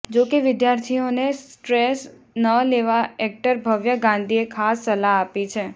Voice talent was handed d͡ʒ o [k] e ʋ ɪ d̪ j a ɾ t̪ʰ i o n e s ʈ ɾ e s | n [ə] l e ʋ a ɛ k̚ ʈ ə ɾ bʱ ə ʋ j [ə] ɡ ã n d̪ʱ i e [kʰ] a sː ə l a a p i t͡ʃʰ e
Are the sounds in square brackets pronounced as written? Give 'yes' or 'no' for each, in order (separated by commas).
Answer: yes, yes, yes, yes